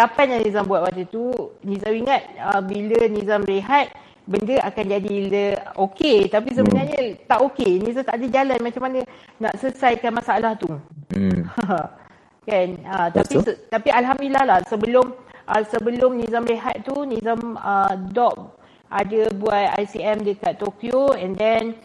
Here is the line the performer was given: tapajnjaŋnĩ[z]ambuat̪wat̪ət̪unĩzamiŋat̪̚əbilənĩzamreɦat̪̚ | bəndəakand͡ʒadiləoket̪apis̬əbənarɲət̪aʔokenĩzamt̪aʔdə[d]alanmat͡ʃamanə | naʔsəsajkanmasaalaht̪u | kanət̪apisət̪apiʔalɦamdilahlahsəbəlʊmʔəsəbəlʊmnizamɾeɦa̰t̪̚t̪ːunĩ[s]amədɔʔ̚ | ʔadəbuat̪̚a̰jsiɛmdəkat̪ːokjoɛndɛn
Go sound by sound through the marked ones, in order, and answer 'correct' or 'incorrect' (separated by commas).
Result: correct, incorrect, incorrect